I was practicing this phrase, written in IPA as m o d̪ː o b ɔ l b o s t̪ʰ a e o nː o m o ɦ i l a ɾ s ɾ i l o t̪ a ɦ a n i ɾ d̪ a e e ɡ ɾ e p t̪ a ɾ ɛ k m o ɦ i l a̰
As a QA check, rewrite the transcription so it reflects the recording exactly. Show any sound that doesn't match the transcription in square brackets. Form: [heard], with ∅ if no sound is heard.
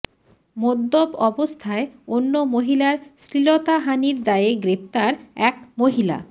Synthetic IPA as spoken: m o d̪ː o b ɔ [∅] b o s t̪ʰ a e o nː o m o ɦ i l a ɾ s ɾ i l o t̪ a ɦ a n i ɾ d̪ a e e ɡ ɾ e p t̪ a ɾ ɛ k m o ɦ i l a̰